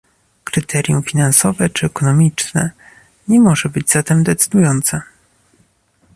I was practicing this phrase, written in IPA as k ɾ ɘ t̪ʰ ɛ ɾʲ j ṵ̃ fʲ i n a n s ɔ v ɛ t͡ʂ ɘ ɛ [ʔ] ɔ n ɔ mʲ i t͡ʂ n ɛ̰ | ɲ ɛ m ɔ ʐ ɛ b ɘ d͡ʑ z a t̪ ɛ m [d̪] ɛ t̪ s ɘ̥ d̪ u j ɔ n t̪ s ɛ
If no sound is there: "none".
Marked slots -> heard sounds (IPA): k, d̪

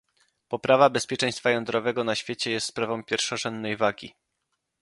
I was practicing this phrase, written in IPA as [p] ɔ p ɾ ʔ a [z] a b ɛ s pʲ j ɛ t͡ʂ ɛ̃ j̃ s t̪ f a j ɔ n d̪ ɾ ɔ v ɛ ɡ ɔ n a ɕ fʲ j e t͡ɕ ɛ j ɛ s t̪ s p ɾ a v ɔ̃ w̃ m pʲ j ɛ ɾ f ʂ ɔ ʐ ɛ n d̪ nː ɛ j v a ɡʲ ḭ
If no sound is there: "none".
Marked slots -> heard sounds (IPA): p, v

